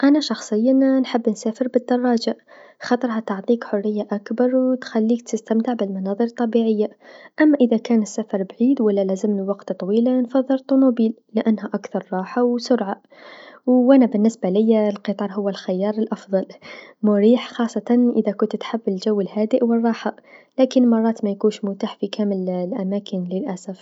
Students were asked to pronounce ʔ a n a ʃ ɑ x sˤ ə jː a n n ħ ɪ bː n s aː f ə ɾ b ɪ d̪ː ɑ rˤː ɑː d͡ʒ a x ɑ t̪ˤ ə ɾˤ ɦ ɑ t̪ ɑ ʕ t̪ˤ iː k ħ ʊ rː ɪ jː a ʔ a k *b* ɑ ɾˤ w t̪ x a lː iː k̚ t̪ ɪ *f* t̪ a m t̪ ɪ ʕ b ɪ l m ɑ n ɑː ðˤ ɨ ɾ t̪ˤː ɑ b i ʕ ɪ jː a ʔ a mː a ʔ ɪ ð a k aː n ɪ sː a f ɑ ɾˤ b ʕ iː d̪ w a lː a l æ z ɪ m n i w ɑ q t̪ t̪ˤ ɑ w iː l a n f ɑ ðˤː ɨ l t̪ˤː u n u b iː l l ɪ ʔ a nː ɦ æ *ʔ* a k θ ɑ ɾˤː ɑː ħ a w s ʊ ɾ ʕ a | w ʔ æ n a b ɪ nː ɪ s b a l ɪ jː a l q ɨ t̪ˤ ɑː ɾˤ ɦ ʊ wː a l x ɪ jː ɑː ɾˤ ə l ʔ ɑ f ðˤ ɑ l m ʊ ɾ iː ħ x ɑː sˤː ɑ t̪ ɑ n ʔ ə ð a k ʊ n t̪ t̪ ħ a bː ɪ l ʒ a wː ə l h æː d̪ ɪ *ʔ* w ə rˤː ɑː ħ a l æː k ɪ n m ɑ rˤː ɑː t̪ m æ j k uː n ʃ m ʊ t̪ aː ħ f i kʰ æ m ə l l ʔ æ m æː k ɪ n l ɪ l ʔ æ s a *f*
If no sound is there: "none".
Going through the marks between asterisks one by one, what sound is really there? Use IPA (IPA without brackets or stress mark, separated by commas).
b, s, ʔ, ʔ, f